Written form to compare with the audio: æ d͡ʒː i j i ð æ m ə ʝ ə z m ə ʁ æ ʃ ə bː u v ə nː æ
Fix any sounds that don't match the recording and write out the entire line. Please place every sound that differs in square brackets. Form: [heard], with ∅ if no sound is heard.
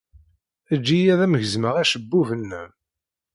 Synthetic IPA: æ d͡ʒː i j [æ] ð æ m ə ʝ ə z m ə ʁ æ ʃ ə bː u v ə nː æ